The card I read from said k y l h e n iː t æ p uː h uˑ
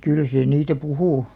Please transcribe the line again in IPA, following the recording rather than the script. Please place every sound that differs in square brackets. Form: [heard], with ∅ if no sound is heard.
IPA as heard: k y l [s] e n iː t æ p [u] h uˑ